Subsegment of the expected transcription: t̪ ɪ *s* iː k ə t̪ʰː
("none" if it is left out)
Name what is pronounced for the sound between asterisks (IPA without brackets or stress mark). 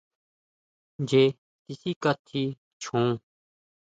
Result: s